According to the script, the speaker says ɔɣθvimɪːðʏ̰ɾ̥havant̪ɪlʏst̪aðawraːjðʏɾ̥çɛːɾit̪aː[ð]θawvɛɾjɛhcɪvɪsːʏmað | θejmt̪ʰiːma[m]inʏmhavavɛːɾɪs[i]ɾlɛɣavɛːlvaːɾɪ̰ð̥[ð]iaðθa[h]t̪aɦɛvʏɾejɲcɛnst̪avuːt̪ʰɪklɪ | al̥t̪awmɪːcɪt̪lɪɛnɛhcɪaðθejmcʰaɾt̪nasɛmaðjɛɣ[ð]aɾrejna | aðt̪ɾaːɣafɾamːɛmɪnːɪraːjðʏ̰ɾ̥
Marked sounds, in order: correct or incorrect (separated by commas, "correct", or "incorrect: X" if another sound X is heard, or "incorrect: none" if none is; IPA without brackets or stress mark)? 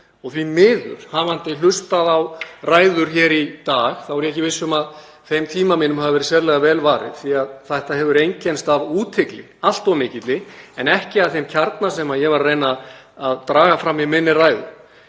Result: incorrect: ɣ, correct, incorrect: ɛ, incorrect: θ, correct, incorrect: v